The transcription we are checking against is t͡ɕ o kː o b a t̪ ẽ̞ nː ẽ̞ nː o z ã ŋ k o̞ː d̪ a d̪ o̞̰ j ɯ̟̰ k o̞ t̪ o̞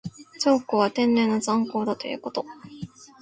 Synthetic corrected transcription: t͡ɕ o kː o β a t̪ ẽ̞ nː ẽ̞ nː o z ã ŋ k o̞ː d̪ a t̪ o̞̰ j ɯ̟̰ k o̞ t̪ o̞